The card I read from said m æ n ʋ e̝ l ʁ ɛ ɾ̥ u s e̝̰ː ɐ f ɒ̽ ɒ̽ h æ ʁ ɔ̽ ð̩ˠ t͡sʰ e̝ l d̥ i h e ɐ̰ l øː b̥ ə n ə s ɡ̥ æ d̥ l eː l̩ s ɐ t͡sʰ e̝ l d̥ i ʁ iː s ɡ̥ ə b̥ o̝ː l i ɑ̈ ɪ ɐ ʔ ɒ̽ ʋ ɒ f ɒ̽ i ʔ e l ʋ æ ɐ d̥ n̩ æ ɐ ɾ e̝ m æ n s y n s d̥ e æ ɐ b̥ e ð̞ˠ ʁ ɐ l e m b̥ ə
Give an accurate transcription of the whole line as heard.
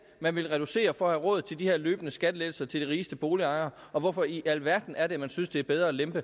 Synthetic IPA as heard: m æ n ʋ e̝ l ʁ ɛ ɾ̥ u s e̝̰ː ɐ f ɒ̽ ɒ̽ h æ ʁ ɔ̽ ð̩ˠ t͡sʰ e̝ l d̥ i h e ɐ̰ l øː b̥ ə n ə s ɡ̥ æ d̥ l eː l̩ s ɐ t͡sʰ e̝ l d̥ i ʁ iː s d̥ ə b̥ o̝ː l i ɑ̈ ɪ ɐ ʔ ɒ̽ ʋ ɒ f ɒ̽ i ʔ æ l ʋ æ ɐ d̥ n̩ æ ɐ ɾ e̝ m æ n s y n s d̥ e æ ɐ b̥ e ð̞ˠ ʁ ɐ l e m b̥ ə

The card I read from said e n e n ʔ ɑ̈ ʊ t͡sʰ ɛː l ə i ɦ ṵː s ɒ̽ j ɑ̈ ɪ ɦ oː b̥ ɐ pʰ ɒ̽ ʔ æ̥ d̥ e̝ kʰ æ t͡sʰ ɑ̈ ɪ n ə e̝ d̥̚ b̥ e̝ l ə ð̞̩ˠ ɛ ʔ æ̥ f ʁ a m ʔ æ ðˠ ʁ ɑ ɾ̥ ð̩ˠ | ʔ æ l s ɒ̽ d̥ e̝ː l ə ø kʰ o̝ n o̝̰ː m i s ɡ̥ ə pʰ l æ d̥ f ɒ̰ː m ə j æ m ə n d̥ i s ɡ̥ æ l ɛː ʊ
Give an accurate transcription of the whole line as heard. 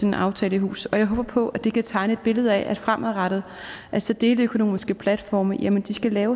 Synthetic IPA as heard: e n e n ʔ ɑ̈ ʊ t͡sʰ ɛː l ə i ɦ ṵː s ɒ̽ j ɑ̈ ɪ ɦ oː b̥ ɐ pʰ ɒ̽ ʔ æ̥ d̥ e̝ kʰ æ t͡sʰ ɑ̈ ɪ n ə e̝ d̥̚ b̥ e̝ l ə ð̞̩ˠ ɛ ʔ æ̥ f ʁ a m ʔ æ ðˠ ʁ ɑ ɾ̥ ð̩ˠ | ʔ æ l s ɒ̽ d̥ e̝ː l ə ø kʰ o̝ n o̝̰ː m i s ɡ̥ ə pʰ l æ d̥ f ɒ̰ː m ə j æ m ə n d̥ i s ɡ̥ æ l ɛː ʊ

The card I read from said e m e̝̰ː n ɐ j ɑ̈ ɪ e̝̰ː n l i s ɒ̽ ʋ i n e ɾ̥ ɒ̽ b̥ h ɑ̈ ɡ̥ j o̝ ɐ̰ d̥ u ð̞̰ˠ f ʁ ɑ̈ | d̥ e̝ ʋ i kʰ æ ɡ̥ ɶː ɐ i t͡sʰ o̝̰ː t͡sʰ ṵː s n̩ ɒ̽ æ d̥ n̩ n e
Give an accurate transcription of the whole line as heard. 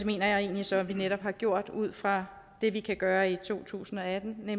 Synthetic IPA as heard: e m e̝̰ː n ɐ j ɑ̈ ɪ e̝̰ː n l i s ɒ̽ ʋ i n e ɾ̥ ɒ̽ b̥ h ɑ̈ ɡ̥ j o̝ ɐ̰ d̥ u ð̞̰ˠ f ʁ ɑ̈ | d̥ e̝ ʋ i kʰ æ ɡ̥ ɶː ɐ i t͡sʰ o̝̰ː t͡sʰ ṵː s n̩ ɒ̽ æ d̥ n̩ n e

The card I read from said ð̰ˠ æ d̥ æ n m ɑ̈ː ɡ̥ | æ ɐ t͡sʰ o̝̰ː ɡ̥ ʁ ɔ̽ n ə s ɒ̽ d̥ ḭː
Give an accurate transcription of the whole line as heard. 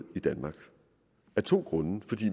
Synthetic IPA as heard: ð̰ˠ i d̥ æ n m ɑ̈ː ɡ̥ | æ ɐ t͡sʰ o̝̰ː ɡ̥ ʁ ɔ̽ n ə f ɒ̽ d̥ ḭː

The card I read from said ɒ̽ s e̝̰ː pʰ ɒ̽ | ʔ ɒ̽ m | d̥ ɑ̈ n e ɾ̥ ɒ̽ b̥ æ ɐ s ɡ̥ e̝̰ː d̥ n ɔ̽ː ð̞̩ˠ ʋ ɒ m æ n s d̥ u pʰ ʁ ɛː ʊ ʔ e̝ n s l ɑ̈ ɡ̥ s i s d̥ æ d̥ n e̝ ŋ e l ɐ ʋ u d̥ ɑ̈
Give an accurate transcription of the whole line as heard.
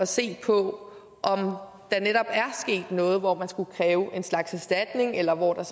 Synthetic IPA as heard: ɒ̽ s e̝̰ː pʰ ɒ̽ | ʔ ɒ̽ m | d̥ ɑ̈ n e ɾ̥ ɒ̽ b̥ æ ɐ s ɡ̥ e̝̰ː d̥ n ɔ̽ː ð̞̩ˠ ʋ ɒ m æ n s ɡ̥ u kʰ ʁ ɛː ʊ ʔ e̝ n s l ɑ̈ ɡ̥ s æ s d̥ æ d̥ n e̝ ŋ e l ɐ ʋ ɒ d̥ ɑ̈

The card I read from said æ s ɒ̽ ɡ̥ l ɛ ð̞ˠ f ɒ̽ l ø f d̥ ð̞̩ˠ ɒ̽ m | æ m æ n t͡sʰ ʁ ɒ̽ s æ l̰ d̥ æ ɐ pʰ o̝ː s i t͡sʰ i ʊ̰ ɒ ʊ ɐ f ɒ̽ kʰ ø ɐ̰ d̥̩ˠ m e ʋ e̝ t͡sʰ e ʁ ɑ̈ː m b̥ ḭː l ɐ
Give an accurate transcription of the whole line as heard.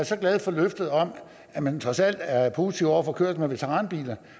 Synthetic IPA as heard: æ s ɒ̽ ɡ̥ l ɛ ð̞ˠ f ɒ̽ l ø f d̥ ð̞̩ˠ ɒ̽ m | æ m æ n t͡sʰ ʁ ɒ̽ s æ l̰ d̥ æ ɐ pʰ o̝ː s i t͡sʰ i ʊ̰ ɒ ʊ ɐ f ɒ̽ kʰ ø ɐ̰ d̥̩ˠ m e ʋ e̝ t͡sʰ e ʁ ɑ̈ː n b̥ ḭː l ɐ

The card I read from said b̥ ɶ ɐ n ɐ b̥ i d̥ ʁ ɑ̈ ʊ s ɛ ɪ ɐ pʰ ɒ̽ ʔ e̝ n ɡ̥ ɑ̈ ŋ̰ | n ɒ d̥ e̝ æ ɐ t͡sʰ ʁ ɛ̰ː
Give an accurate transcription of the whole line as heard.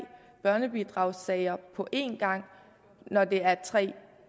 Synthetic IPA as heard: b̥ ɶ ɐ n ə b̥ i d̥ ʁ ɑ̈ ʊ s ɛ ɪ ɐ pʰ ɒ̽ ʔ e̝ n ɡ̥ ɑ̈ ŋ̰ | n ɒ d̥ e̝ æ ɐ t͡sʰ ʁ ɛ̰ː

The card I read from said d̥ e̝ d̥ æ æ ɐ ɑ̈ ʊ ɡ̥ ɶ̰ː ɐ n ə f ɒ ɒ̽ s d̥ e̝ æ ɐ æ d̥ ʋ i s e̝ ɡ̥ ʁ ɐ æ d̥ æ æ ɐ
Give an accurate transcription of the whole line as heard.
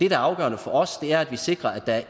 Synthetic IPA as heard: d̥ e̝ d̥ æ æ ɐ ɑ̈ ʊ ɡ̥ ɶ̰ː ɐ n ə f ɒ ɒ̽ s d̥ e̝ æ ɐ æ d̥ ʋ i s e̝ ɡ̥ ʁ ɐ æ d̥ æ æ ɐ

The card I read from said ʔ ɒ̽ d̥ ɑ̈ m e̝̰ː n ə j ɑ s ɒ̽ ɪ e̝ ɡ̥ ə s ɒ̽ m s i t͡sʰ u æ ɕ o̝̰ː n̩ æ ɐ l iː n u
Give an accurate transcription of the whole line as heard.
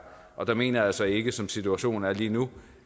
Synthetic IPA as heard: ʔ ɒ̽ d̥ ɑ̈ m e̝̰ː n ɐ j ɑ s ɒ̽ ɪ e̝ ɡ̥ ə s ɒ̽ m s i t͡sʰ u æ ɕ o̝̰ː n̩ æ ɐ l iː n u

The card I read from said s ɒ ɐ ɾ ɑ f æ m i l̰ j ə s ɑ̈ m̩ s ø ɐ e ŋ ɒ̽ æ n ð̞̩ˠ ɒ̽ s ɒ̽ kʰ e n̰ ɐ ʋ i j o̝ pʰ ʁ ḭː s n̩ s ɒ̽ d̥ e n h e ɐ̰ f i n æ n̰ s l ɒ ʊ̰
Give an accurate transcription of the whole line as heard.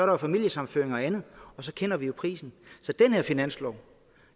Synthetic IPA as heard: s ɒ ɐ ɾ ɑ f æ m i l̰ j ə s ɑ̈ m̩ f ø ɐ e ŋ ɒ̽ æ n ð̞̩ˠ ɒ̽ s ɒ̽ kʰ e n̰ ɐ ʋ i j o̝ pʰ ʁ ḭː s n̩ s ɒ̽ d̥ e n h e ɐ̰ f i n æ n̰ s l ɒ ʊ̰

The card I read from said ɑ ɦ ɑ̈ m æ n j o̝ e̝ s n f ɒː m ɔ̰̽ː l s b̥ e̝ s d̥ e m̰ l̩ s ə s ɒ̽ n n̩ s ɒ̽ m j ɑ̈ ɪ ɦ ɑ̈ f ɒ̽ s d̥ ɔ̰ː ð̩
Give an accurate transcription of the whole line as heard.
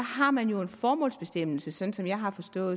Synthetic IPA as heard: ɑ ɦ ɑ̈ m æ n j o̝ e̝ n f ɒː m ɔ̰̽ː l s b̥ e̝ s d̥ e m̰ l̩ s ə s ɒ̽ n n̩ s ɒ̽ m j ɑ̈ ɪ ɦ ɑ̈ f ɒ̽ s d̥ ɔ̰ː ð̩

